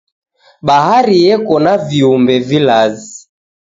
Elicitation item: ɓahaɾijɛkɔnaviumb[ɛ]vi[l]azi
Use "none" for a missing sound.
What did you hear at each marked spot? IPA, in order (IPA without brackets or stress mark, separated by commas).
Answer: ɛ, l